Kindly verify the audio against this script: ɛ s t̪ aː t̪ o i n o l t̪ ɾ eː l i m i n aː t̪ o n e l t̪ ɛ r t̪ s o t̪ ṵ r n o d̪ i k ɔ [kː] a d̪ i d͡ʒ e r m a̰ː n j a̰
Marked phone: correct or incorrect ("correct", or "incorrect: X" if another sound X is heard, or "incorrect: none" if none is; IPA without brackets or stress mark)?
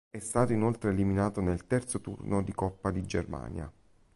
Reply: incorrect: pː